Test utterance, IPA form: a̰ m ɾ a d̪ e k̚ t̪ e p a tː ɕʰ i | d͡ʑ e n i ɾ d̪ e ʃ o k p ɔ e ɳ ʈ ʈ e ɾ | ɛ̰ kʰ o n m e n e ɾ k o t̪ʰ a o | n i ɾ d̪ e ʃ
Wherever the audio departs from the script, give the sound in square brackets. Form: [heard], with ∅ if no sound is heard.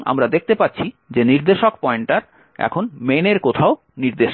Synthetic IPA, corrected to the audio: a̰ m ɾ a d̪ e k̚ t̪ e p a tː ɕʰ i | d͡ʑ e n i ɾ d̪ e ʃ o k p ɔ e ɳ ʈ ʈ [a] ɾ | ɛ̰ kʰ o n m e n e ɾ k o t̪ʰ a o | n i ɾ d̪ e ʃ